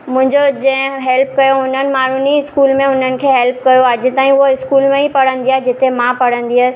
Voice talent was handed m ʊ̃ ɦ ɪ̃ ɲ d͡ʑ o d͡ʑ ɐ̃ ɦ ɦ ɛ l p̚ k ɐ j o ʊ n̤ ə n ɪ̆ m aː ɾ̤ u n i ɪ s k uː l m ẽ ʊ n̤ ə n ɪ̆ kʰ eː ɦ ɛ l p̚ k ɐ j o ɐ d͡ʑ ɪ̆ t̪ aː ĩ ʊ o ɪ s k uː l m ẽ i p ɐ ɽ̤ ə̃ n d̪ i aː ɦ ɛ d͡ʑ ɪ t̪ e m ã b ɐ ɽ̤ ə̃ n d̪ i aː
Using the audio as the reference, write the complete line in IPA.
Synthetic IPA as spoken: m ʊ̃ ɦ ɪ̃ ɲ d͡ʑ o d͡ʑ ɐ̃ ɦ ɦ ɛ l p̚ k ɐ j o ʊ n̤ ə n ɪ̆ m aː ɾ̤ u n i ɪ s k uː l m ẽ ʊ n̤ ə n ɪ̆ kʰ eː ɦ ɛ l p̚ k ɐ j o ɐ d͡ʑ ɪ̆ t̪ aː ĩ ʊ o ɪ s k uː l m ẽ i p ɐ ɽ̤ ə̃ n d̪ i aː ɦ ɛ d͡ʑ ɪ t̪ e m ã p ɐ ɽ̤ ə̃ n d̪ i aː